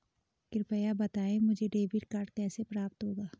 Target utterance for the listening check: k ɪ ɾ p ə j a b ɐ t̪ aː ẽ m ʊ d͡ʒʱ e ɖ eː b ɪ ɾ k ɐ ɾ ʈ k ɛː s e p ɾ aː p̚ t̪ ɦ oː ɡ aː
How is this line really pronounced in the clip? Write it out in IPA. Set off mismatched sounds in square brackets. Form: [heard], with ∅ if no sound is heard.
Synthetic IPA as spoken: k ɪ ɾ p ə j a b ɐ t̪ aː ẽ m ʊ d͡ʒʱ e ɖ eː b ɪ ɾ k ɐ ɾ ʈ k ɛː s e p ɾ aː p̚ t̪ ɦ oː ɡ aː